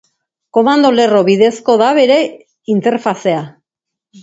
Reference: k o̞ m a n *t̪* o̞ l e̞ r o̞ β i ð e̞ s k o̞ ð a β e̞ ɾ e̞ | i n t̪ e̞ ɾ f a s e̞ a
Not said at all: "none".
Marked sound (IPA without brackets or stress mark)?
d̪